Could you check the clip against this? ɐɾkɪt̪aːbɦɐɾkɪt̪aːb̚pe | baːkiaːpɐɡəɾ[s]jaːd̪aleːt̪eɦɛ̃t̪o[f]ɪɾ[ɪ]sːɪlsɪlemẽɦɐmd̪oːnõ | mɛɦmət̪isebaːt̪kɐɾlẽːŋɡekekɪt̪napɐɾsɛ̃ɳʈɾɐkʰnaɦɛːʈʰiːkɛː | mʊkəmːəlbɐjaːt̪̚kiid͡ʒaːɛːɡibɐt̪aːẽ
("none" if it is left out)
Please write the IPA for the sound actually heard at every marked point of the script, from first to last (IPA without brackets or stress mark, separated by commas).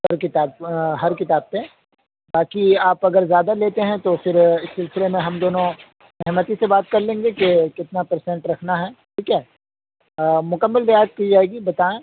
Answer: z, f, ɪ